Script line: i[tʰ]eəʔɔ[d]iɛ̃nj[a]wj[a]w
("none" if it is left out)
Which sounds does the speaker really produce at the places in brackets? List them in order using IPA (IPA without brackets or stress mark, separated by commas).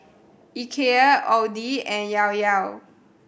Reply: kʰ, d, a, a